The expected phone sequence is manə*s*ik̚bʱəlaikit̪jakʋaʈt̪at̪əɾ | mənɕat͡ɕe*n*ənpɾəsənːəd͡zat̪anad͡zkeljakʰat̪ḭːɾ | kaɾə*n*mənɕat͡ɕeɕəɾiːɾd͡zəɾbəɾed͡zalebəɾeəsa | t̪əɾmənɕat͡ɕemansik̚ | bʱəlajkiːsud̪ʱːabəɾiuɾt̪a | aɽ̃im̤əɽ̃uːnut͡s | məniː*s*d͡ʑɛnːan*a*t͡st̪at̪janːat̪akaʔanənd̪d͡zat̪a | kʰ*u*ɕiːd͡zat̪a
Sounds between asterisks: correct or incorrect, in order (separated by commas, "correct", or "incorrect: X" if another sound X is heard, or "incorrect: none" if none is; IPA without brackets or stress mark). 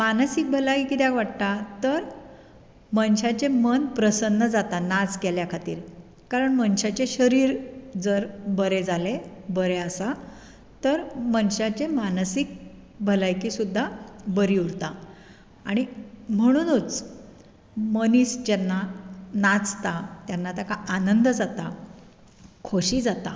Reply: correct, incorrect: m, incorrect: ɳ, correct, correct, incorrect: o